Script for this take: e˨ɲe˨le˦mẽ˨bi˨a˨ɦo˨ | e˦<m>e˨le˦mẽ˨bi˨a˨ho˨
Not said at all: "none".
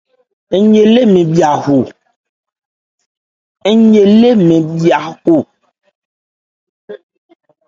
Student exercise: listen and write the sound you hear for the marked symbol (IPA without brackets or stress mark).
ɲ